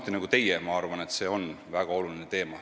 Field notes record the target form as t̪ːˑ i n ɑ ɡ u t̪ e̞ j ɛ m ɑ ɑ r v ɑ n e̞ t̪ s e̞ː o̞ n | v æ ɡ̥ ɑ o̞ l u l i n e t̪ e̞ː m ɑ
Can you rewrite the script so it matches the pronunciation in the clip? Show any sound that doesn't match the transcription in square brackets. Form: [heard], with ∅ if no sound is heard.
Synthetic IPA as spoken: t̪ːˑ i n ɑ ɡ u t̪ e̞ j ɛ m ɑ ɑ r v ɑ n e̞ t̪ s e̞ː o̞ n | v æ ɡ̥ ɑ o̞ l u l i n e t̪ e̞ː m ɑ